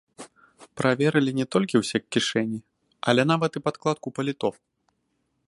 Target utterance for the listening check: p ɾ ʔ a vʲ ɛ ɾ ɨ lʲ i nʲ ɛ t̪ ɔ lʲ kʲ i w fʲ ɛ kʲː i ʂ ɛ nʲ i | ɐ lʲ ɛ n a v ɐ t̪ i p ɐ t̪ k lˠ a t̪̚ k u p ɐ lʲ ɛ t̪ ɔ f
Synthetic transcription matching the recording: p ɾ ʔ a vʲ ɛ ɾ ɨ lʲ i nʲ ɛ t̪ ɔ lʲ kʲ i w sʲ ɛ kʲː i ʂ ɛ nʲ i | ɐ lʲ ɛ n a v ɐ t̪ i p a t̪ k lˠ a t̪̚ k u p ɐ lʲ i t̪ ɔ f